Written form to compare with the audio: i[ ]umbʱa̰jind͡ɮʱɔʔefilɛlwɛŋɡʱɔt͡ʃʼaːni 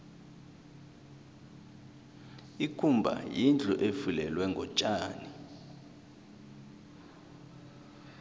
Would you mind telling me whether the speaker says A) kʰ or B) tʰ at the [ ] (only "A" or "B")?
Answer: A